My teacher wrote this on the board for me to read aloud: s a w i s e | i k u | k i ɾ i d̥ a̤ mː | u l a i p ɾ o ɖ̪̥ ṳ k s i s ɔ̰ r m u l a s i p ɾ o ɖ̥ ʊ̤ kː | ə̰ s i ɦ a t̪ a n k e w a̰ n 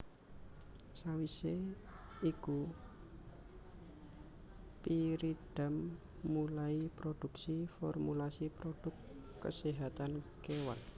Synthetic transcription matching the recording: s a w i s e | i k u | p i ɾ i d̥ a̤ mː | u l a i p ɾ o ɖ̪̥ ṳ k s i f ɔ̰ r m u l a s i p ɾ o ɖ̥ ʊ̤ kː | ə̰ s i ɦ a t̪ a n k e w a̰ n